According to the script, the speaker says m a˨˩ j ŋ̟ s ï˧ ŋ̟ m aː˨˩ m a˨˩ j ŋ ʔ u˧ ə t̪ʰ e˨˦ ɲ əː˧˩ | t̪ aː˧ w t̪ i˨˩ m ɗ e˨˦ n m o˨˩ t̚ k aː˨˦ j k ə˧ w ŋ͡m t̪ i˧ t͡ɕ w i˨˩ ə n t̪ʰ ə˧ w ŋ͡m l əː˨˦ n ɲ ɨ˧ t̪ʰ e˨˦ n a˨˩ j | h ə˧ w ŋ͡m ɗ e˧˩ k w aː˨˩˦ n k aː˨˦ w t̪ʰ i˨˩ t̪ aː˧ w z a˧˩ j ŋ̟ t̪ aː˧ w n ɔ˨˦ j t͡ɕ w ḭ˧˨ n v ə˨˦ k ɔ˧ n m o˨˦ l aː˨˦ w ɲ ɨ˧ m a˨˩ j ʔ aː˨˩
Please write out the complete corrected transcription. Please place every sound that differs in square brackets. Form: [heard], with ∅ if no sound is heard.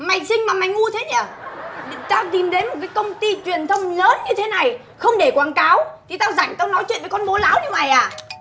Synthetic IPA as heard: m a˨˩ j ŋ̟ s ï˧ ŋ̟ m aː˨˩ m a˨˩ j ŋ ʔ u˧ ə t̪ʰ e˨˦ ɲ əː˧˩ | t̪ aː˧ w t̪ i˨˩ m ɗ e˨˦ n m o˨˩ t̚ k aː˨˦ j k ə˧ w ŋ͡m t̪ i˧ t͡ɕ w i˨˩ ə n t̪ʰ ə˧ w ŋ͡m l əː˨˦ n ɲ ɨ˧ t̪ʰ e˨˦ n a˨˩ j | [x] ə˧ w ŋ͡m ɗ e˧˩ k w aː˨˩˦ n k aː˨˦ w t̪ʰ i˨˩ t̪ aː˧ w z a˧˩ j ŋ̟ t̪ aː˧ w n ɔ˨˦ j t͡ɕ w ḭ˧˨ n v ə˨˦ k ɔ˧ n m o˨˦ l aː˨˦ w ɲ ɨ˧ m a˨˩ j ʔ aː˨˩